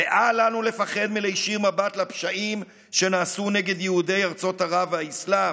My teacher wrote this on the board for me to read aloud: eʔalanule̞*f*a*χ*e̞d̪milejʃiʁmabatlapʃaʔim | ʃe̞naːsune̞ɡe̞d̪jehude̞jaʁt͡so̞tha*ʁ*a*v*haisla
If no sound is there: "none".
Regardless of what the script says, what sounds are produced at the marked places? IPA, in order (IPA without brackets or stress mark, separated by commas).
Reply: f, χ, ʁ, v